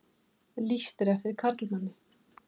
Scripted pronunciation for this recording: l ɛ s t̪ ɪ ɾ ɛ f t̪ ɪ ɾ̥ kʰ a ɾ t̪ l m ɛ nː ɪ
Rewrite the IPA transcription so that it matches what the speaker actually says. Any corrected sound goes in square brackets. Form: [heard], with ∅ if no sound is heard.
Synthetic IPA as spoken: l [i] s t̪ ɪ ɾ ɛ f t̪ ɪ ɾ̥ kʰ a ɾ t̪ l m [a] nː ɪ